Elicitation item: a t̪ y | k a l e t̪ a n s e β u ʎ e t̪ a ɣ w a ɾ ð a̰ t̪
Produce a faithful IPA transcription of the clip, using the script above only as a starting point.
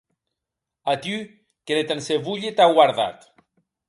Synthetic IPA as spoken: a t̪ y | k e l e t̪ a n s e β u ʎ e t̪ a ɣ w a ɾ ð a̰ t̪